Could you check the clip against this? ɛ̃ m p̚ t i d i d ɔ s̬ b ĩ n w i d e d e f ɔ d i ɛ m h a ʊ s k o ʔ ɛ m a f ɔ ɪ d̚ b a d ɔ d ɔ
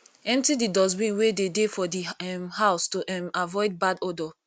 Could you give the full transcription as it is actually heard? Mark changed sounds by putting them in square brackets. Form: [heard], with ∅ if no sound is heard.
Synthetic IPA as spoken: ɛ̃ m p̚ t i d i d ɔ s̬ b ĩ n w [e] d e d e f ɔ d i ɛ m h a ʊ s [t] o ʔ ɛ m a [v] ɔ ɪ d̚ b a d ɔ d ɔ